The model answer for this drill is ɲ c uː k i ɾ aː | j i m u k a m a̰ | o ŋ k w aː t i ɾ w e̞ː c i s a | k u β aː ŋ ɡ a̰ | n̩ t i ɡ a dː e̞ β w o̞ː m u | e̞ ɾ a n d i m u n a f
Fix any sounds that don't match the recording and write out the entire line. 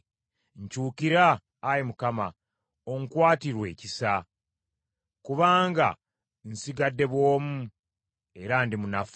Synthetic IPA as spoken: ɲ c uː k i ɾ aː | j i m u k a m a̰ | o ŋ k w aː t i ɾ w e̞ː c i s a | k u β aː ŋ ɡ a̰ | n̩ s i ɡ a dː e̞ β w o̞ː m u | e̞ ɾ a n d i m u n a f